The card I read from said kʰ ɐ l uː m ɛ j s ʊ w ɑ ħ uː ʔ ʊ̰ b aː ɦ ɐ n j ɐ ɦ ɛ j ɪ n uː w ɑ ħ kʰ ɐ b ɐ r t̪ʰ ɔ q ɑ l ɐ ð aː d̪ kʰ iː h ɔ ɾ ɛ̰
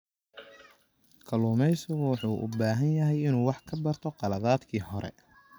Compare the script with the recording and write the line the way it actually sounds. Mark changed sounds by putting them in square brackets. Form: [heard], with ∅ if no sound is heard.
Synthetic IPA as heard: kʰ ɐ l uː m ɛ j s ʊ w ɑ ħ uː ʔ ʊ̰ b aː ɦ ɐ n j ɐ ɦ ɛ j ɪ n uː w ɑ ħ kʰ ɐ b ɐ r t̪ʰ ɔ q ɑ l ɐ ð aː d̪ kʰ iː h ɔ ɾ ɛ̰